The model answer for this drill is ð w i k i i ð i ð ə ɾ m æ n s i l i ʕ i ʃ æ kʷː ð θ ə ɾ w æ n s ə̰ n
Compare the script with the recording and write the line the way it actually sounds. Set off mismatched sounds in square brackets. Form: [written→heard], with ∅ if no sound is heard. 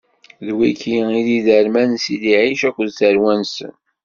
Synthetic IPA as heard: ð w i k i i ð i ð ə ɾ m æ n s i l i ʕ i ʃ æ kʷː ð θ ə ɾ w æ n s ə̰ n